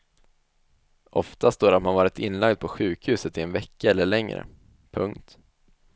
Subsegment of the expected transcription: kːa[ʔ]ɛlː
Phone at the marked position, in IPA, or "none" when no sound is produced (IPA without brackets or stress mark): none